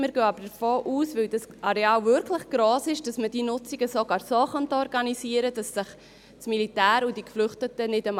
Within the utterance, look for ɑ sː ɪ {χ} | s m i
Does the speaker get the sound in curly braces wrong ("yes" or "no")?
no